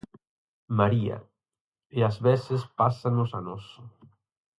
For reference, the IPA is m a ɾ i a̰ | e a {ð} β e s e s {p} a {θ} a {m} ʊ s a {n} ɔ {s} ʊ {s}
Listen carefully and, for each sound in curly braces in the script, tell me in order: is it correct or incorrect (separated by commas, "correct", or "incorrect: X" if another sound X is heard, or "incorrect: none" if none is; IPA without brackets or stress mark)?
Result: incorrect: z, correct, incorrect: s, incorrect: n, correct, correct, incorrect: none